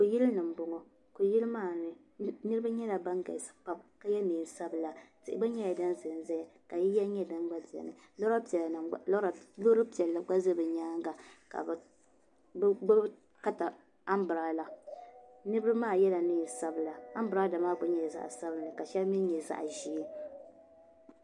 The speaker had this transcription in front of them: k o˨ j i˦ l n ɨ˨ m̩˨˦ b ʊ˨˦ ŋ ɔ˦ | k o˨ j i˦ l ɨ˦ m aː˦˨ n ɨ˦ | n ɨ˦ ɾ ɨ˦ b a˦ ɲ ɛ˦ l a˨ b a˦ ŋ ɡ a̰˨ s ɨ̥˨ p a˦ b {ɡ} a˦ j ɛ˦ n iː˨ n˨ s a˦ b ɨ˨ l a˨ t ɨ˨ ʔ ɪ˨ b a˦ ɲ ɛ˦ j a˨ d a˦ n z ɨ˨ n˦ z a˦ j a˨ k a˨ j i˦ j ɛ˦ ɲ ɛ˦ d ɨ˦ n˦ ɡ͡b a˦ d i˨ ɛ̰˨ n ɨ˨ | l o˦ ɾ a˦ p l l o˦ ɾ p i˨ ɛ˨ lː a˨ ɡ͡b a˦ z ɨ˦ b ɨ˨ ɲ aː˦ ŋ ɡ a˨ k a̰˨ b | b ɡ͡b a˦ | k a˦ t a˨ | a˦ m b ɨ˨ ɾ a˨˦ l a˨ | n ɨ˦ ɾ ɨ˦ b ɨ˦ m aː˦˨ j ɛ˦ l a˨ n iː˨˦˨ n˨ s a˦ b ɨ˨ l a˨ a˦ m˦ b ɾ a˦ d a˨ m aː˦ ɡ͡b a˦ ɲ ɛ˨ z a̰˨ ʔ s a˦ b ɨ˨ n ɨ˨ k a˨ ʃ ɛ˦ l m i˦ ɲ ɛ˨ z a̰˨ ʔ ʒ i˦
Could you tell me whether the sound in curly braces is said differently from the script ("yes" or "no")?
yes